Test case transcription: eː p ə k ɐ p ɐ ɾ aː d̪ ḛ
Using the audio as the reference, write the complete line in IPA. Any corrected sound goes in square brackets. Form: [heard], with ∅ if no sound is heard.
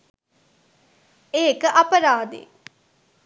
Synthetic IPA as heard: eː [k] ə [ʔ] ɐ p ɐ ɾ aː d̪ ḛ